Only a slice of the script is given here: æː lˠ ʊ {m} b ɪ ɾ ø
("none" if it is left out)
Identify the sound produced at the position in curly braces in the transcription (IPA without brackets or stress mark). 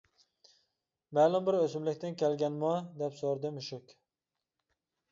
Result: m